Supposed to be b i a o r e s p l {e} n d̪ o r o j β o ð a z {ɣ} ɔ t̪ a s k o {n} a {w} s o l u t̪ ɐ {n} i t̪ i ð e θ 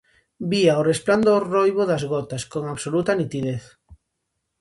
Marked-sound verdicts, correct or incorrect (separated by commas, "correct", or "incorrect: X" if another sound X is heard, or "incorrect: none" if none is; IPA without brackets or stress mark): incorrect: a, correct, incorrect: ŋ, incorrect: β, correct